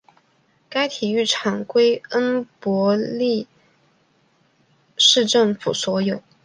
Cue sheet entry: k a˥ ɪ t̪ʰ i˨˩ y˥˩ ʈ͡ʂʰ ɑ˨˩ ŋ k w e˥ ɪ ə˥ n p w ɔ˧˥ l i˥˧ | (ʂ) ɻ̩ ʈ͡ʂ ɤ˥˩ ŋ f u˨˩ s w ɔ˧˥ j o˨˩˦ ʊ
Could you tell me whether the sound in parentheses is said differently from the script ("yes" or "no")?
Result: no